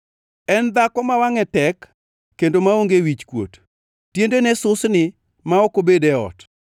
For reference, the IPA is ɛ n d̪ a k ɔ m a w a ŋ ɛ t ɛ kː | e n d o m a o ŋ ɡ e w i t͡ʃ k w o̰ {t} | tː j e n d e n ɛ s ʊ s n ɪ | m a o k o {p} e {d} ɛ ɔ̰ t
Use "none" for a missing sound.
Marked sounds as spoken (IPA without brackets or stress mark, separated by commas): t, b, d